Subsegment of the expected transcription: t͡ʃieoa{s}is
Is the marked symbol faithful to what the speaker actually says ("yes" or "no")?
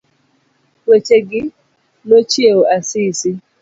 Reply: yes